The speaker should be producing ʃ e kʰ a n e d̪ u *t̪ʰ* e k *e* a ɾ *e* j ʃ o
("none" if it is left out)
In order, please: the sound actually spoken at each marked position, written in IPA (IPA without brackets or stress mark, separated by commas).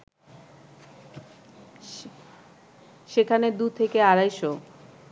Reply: t̪ʰ, e, a